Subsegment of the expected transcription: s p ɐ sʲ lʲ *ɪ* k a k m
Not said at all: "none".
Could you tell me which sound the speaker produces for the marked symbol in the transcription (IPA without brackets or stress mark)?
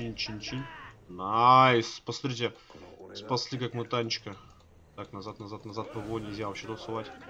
i